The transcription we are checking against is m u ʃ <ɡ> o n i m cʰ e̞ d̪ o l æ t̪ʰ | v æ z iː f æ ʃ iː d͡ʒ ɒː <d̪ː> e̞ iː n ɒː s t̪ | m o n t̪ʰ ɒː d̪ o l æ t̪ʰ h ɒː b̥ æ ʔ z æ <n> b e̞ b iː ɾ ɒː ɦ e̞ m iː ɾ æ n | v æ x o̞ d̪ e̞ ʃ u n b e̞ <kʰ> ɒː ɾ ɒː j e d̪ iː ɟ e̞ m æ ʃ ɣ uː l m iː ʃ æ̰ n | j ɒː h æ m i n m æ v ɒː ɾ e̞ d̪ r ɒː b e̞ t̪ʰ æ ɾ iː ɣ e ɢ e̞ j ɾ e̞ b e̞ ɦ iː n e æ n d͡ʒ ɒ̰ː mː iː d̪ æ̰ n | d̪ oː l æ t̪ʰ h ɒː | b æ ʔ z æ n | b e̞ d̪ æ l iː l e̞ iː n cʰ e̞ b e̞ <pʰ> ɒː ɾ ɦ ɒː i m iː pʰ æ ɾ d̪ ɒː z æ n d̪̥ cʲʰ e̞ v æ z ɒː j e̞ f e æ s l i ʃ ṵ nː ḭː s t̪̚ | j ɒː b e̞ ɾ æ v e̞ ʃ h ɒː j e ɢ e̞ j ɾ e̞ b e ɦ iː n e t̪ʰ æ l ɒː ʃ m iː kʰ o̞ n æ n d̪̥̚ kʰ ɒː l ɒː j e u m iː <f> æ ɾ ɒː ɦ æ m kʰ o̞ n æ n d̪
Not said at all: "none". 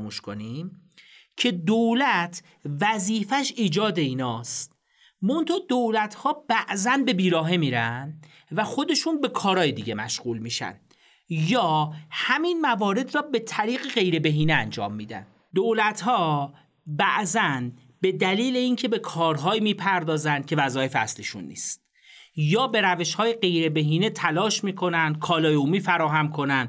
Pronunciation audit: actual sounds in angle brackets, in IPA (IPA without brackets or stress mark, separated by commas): k, d̪, n, kʰ, kʰ, f